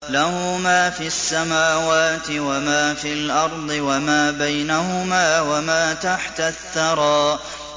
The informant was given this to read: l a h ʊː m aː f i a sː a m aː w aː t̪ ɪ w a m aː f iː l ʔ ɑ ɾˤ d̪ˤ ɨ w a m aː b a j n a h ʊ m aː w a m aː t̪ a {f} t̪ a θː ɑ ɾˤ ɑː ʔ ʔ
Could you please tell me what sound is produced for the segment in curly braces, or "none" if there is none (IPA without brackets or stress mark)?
ħ